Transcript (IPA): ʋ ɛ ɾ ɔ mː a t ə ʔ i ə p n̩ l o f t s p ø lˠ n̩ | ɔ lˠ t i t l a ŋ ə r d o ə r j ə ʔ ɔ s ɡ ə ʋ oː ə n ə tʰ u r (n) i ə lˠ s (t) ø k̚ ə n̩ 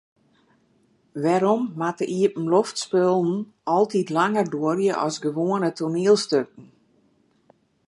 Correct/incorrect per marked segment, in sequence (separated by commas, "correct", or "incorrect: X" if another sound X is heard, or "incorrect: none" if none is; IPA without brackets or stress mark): correct, correct